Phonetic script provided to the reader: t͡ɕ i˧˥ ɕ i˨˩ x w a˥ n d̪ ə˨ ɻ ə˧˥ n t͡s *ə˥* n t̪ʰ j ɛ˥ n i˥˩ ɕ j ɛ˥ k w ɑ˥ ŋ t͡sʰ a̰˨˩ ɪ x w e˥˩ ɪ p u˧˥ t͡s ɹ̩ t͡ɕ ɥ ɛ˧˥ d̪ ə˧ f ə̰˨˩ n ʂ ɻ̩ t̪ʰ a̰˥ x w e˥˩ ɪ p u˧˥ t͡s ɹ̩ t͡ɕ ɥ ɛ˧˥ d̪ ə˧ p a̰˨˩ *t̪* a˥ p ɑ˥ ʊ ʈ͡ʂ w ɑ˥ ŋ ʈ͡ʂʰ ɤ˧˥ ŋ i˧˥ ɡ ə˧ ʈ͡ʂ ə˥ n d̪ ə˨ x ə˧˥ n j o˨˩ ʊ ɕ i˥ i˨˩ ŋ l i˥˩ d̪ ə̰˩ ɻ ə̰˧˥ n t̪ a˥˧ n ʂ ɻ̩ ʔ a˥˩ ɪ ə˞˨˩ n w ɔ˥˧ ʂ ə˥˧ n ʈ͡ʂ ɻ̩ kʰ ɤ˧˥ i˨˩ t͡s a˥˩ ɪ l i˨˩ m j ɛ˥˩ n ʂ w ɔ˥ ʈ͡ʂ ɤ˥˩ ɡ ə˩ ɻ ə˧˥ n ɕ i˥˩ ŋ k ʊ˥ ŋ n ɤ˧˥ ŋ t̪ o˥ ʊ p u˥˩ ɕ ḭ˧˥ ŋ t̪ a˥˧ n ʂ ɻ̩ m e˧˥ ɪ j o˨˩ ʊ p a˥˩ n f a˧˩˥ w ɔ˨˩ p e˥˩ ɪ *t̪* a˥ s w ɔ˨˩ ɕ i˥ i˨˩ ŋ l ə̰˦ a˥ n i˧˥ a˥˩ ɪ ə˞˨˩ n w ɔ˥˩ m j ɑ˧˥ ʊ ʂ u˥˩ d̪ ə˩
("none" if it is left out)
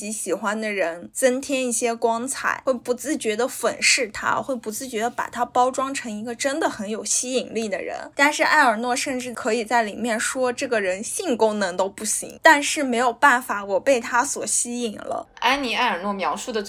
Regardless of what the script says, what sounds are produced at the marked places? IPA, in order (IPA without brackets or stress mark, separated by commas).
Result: ə˥, t̪ʰ, t̪ʰ